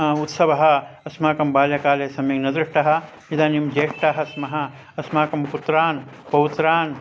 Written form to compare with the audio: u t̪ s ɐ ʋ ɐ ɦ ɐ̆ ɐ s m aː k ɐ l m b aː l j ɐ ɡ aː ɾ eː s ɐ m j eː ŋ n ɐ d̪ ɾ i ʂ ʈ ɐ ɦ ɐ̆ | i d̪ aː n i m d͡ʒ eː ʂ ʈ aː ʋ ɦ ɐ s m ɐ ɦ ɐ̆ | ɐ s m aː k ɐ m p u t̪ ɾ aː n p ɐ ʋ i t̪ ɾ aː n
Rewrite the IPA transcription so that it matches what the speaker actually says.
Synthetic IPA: u t̪ s ɐ ʋ ɐ ɦ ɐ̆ ɐ s m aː k ɐ m b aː l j ɐ k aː l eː s ɐ m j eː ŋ n ɐ d̪ ɾ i ʂ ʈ ɐ ɦ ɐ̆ | i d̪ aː n i m d͡ʒ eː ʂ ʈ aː ɦ ɐ s m ɐ ɦ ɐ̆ | ɐ s m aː k ɐ m p u t̪ ɾ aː n p ɐ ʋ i t̪ ɾ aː n